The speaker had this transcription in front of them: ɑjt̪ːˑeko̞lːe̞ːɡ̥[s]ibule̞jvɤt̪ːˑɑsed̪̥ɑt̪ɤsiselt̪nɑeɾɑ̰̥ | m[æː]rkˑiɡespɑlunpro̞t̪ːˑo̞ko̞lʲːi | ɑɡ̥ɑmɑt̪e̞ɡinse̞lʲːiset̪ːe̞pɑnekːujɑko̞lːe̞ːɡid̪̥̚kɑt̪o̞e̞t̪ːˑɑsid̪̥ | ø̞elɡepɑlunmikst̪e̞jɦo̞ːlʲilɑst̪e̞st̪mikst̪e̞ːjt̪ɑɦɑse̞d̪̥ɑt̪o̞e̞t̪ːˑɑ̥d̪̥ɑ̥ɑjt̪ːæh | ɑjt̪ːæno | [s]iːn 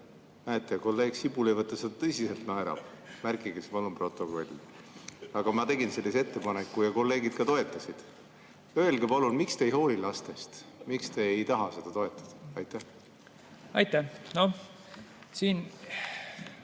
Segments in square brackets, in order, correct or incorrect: correct, incorrect: æ, correct

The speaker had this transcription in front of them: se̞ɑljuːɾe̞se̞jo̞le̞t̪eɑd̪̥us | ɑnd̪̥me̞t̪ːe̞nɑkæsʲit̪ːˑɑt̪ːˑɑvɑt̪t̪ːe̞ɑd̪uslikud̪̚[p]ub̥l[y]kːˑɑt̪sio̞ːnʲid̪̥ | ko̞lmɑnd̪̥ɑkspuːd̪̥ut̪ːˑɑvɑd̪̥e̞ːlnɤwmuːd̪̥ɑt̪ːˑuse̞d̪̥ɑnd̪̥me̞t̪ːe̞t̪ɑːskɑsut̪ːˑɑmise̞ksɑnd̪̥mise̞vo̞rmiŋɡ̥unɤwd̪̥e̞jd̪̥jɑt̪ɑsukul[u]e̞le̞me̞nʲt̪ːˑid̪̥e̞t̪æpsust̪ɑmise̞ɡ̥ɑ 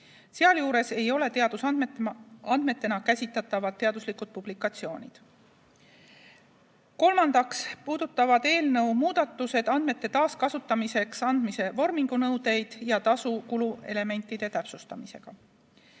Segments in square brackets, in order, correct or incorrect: correct, incorrect: i, correct

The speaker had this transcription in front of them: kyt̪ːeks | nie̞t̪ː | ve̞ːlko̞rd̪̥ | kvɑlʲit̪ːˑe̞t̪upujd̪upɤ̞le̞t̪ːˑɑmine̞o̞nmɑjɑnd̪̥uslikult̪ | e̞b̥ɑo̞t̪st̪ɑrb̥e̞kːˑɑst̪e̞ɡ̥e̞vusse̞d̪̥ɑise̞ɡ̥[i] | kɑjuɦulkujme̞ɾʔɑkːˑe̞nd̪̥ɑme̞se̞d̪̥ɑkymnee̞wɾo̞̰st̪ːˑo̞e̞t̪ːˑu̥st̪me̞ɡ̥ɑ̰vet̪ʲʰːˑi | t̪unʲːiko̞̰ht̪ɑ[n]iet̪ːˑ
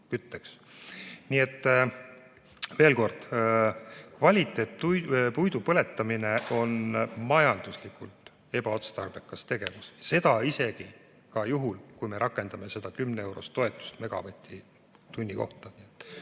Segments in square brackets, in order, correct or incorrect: correct, correct

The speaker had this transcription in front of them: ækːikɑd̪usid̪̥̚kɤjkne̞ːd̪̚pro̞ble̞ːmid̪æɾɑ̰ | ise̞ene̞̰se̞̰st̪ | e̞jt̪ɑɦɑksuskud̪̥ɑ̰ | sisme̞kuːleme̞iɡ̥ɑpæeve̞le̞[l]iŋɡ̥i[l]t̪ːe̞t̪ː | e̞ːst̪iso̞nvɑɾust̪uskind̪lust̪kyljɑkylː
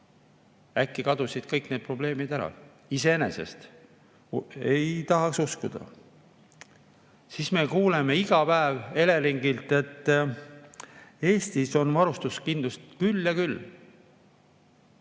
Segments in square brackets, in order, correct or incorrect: correct, correct

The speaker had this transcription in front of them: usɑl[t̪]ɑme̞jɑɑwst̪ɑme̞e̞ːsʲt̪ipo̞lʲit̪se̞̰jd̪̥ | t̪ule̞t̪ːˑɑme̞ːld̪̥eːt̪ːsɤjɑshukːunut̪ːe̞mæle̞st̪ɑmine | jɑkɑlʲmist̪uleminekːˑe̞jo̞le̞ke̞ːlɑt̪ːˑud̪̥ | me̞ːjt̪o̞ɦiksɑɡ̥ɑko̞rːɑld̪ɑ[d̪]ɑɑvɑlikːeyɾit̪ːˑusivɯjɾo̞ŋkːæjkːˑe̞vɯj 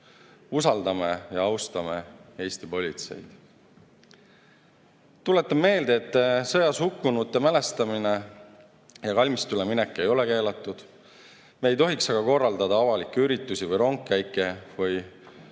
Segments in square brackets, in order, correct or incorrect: incorrect: d̪, correct

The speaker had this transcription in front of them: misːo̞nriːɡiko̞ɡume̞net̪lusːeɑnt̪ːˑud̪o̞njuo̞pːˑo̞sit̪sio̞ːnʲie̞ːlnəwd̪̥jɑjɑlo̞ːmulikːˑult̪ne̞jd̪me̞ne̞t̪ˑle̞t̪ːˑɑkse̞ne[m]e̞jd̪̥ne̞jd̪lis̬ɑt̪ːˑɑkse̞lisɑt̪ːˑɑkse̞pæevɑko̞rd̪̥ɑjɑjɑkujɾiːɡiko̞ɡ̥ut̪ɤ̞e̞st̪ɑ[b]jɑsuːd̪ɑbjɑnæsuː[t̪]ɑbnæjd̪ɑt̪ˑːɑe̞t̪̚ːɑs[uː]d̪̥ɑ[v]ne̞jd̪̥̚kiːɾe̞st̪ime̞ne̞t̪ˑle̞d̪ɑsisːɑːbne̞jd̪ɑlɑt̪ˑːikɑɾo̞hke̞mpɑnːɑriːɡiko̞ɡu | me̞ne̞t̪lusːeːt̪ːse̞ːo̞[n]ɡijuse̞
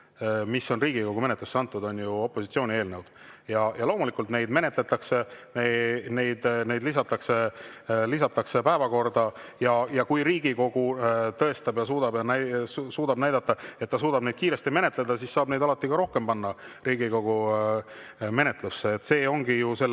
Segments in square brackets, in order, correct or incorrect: incorrect: n, correct, incorrect: d̪, correct, incorrect: b, incorrect: ŋ

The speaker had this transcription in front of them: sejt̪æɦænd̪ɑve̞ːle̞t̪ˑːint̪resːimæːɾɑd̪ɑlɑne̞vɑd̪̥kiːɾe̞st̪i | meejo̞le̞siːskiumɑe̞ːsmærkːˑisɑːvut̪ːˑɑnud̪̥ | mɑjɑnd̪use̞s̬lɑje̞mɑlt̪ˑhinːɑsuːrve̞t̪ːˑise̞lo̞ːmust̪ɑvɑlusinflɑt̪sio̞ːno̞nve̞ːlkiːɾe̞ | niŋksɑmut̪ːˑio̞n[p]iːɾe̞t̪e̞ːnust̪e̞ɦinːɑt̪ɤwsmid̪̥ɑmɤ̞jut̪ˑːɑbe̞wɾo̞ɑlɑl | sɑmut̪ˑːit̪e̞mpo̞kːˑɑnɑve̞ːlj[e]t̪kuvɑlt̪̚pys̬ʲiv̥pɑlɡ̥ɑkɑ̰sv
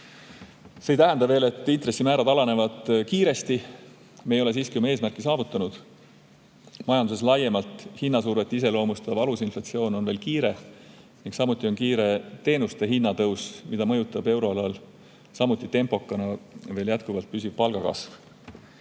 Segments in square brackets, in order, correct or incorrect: incorrect: k, incorrect: æ

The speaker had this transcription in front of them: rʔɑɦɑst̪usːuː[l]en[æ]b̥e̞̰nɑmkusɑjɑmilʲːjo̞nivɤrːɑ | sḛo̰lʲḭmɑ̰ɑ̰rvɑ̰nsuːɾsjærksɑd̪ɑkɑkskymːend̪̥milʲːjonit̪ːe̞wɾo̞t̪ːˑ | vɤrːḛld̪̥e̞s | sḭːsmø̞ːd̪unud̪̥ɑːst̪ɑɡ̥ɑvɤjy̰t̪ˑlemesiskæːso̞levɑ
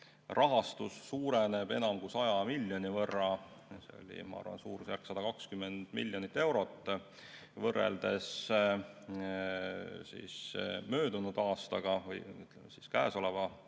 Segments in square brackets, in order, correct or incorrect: incorrect: ɾ, incorrect: e

